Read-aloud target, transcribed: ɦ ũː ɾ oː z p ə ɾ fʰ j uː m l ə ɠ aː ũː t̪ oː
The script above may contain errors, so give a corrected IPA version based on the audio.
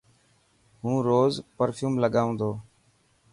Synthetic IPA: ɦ ũː ɾ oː z p ə ɾ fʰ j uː m l ə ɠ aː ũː d̪ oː